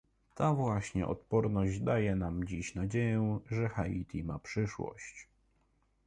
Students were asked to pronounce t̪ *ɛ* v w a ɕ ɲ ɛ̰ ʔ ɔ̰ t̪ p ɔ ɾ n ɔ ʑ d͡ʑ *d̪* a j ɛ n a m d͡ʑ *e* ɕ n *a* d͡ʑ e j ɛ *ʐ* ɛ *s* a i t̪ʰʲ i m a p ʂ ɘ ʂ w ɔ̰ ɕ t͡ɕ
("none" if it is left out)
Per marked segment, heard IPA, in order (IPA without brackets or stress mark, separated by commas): a, d̪, i, a, ʐ, x